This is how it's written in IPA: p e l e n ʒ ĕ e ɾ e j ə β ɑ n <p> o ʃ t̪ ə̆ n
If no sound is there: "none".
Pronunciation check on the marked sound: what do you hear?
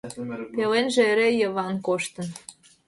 k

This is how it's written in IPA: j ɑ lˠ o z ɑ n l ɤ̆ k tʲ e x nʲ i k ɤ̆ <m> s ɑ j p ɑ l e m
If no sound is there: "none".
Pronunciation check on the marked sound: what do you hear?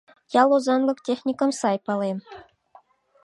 m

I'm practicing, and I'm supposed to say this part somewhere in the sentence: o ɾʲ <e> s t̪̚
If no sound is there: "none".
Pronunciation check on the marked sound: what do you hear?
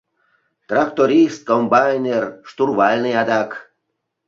i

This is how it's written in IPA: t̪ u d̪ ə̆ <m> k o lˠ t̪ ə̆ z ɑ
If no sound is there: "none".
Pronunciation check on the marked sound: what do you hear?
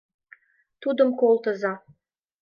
m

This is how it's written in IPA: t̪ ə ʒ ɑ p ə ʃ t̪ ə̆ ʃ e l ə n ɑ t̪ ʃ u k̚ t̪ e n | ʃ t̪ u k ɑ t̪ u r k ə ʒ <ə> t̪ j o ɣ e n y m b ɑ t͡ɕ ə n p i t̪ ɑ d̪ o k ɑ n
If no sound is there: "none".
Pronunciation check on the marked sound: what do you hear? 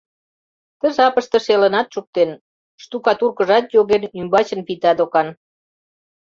ɑ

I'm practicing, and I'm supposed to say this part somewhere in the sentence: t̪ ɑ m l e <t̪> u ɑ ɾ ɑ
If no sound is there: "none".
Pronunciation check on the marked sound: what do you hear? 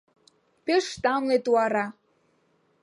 t̪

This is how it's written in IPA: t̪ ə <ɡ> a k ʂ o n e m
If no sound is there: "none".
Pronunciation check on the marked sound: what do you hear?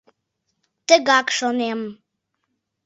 ɡ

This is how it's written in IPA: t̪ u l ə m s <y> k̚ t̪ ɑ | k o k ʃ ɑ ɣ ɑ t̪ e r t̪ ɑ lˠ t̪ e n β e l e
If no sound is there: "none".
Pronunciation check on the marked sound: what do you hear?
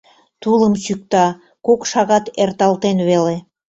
y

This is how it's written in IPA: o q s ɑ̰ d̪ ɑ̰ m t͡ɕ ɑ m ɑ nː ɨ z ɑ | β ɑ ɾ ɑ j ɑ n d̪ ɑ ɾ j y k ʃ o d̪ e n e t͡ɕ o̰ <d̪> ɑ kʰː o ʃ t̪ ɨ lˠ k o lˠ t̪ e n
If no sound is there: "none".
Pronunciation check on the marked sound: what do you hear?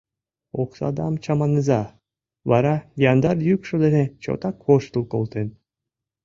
t̪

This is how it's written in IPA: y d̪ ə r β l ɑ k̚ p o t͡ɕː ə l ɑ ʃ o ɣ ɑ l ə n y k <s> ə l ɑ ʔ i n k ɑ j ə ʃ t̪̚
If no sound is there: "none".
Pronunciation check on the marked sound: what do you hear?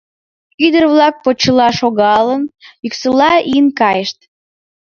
s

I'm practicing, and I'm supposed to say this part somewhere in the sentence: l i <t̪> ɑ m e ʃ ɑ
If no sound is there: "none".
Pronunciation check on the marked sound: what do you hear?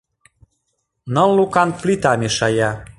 t̪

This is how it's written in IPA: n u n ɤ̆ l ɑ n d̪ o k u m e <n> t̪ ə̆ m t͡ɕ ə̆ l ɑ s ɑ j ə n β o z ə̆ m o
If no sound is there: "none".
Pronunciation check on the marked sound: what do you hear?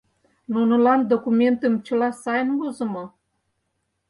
n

